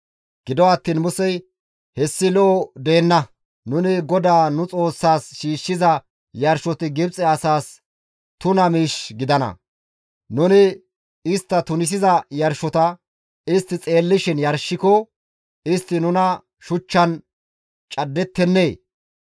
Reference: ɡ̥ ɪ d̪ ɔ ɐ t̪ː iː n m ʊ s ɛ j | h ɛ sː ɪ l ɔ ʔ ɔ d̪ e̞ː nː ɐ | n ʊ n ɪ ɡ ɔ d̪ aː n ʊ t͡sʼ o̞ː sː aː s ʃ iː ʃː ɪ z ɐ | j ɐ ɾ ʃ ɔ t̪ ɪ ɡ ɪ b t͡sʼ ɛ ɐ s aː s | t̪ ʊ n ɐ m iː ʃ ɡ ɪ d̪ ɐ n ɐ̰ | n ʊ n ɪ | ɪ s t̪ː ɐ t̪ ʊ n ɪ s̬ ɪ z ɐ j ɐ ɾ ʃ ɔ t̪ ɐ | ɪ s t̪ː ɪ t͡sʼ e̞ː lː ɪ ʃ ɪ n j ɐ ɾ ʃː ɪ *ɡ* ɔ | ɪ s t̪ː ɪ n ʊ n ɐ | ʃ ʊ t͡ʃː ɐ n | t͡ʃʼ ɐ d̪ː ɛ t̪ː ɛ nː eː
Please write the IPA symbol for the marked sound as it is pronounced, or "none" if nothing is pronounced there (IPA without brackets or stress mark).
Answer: k